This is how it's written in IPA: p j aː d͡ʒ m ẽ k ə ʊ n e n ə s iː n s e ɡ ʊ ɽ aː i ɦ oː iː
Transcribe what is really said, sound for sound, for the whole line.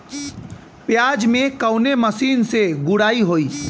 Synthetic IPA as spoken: p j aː d͡ʒ m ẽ k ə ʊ n e m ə s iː n s e ɡ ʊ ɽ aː i ɦ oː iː